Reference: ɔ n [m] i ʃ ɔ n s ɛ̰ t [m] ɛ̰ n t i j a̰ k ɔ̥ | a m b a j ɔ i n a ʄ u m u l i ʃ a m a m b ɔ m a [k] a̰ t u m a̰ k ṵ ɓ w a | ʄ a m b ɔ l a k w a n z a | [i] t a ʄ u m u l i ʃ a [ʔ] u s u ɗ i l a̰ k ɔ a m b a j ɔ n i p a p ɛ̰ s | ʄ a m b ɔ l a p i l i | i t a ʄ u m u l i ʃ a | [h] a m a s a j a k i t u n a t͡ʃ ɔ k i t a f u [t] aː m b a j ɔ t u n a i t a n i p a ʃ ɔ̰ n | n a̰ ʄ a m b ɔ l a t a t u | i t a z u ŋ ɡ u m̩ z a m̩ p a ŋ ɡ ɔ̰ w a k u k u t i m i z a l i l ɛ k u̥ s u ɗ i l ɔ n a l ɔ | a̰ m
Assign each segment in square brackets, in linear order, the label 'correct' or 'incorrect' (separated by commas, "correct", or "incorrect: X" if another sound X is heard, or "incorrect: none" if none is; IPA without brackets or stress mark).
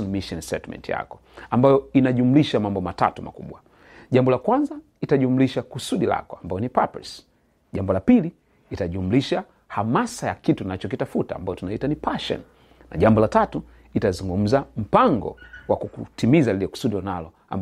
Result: correct, correct, incorrect: t, correct, incorrect: k, correct, correct